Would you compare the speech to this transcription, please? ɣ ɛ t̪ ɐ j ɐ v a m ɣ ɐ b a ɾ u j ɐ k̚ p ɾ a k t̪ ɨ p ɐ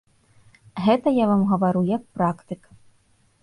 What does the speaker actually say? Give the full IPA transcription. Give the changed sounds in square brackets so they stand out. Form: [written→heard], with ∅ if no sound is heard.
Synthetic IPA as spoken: ɣ ɛ t̪ ɐ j [ɐ→a] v a m ɣ ɐ [b→v] a ɾ u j ɐ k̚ p ɾ a k t̪ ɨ [p→k] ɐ

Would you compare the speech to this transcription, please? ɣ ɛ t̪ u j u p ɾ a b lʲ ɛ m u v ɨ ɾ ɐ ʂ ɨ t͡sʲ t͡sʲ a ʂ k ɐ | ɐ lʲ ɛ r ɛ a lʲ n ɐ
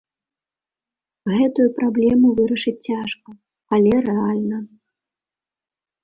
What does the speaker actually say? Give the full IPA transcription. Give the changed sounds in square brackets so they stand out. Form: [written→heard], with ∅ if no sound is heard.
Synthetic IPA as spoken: ɣ ɛ t̪ u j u p ɾ a b lʲ ɛ m u v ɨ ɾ ɐ ʂ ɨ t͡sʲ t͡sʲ a ʂ k ɐ | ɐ lʲ ɛ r ɛ a lʲ n ɐ

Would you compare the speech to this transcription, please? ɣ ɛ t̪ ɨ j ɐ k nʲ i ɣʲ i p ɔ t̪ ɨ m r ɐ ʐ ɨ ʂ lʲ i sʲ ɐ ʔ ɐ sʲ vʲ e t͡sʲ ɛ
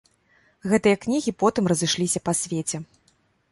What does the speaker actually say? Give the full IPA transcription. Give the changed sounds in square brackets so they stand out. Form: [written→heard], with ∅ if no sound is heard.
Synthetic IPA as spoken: ɣ ɛ t̪ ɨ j ɐ k nʲ i ɣʲ i p ɔ t̪ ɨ m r ɐ [ʐ→z] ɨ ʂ lʲ i sʲ ɐ [ʔ→p] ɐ sʲ vʲ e t͡sʲ ɛ

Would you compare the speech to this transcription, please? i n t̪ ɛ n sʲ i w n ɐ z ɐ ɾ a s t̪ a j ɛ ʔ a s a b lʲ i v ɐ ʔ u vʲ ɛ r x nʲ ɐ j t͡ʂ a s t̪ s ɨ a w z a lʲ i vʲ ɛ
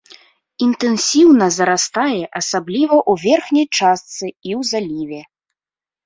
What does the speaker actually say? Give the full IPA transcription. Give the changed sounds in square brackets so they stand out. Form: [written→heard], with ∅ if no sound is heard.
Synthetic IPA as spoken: i n t̪ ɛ n sʲ i w n ɐ z ɐ ɾ a s t̪ a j ɛ ʔ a s a b lʲ i v ɐ ʔ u vʲ ɛ r x nʲ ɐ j t͡ʂ a s t̪ s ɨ [a→i] w z a lʲ i vʲ ɛ

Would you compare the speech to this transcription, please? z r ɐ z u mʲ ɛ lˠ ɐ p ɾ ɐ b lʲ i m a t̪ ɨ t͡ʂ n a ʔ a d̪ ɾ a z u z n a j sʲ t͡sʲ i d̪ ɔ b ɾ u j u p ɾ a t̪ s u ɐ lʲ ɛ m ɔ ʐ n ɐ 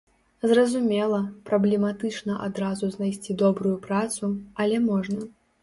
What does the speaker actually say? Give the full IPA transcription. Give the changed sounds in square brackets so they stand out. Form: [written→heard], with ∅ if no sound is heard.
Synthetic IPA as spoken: z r ɐ z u mʲ ɛ lˠ ɐ p ɾ ɐ b lʲ [i→ɛ] m a t̪ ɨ t͡ʂ n [a→ɐ] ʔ a d̪ ɾ a z u z n a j sʲ t͡sʲ i d̪ ɔ b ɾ u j u p ɾ a t̪ s u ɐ lʲ ɛ m ɔ ʐ n ɐ

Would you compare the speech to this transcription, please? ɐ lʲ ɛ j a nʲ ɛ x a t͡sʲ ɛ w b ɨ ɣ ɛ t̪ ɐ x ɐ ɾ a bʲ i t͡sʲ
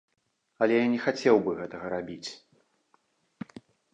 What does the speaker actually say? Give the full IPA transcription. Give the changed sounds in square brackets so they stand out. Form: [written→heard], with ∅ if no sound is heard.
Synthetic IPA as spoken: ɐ lʲ ɛ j a nʲ ɛ x a t͡sʲ ɛ w b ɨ ɣ ɛ t̪ ɐ [x→ɣ] ɐ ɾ a bʲ i t͡sʲ

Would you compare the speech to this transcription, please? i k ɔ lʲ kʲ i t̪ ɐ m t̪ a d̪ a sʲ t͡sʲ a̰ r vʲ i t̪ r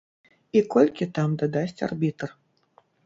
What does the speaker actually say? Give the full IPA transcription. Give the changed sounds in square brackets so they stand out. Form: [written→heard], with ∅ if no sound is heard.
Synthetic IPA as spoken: i k ɔ lʲ kʲ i t̪ [ɐ→a] m [t̪→d̪] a d̪ a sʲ t͡sʲ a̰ r [vʲ→bʲ] i t̪ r

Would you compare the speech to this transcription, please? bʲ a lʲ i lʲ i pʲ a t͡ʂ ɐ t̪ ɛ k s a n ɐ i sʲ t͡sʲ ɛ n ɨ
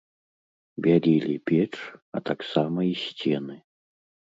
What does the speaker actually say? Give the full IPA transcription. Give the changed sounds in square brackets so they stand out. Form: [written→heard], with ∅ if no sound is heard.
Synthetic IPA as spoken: bʲ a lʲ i lʲ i pʲ [a→ɛ] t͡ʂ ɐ t̪ [ɛ→a] k s a [n→m] ɐ i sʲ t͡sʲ ɛ n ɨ

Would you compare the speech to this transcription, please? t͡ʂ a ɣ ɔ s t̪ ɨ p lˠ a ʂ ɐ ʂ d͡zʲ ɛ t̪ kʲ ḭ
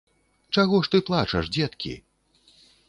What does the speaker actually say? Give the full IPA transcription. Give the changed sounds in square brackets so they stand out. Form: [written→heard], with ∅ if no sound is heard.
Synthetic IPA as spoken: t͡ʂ a ɣ ɔ [s→ʂ] t̪ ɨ p lˠ a [ʂ→t͡ʂ] ɐ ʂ d͡zʲ ɛ t̪ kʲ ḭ

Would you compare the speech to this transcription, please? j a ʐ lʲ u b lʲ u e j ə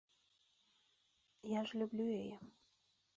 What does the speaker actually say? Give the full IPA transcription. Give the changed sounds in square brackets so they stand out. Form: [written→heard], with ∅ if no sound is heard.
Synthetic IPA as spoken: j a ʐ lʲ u b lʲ u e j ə

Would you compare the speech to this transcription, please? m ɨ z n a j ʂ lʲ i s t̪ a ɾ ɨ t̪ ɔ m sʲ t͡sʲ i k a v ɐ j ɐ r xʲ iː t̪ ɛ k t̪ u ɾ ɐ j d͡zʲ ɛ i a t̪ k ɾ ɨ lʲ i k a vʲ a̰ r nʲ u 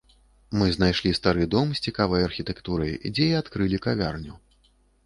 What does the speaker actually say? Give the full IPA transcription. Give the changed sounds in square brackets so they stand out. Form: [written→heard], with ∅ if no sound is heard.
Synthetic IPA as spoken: m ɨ z n a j ʂ lʲ i s t̪ a ɾ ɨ [t̪→d̪] ɔ m sʲ t͡sʲ i k a v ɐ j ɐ r xʲ [iː→i] t̪ ɛ k t̪ u ɾ ɐ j d͡zʲ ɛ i a t̪ k ɾ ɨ lʲ i k a vʲ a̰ r nʲ u

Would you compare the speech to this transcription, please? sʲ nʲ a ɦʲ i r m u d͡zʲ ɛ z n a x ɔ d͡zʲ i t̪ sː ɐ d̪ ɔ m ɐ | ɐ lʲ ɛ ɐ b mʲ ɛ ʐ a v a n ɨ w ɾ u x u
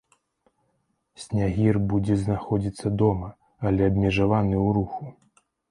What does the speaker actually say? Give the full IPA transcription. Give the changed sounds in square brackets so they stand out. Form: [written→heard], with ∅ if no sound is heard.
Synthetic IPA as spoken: sʲ nʲ a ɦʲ i r [m→b] u d͡zʲ ɛ z n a x ɔ d͡zʲ i t̪ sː ɐ d̪ ɔ m ɐ | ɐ lʲ ɛ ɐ b mʲ ɛ ʐ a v a n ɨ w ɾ u x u

